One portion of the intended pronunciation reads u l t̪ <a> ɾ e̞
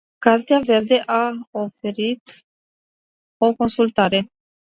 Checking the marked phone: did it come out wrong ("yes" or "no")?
no